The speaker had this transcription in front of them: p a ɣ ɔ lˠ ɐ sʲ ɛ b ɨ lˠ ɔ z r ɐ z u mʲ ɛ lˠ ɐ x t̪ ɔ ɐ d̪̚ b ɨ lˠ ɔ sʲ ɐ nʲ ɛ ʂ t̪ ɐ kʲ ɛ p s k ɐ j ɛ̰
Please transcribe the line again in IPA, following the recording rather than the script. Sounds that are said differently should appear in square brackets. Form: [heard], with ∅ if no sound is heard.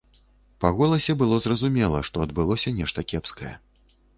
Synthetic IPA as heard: p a ɣ ɔ lˠ ɐ sʲ ɛ b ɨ lˠ ɔ z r ɐ z u mʲ ɛ lˠ ɐ [ʂ] t̪ ɔ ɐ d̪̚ b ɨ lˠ ɔ sʲ ɐ nʲ ɛ ʂ t̪ ɐ kʲ ɛ p s k ɐ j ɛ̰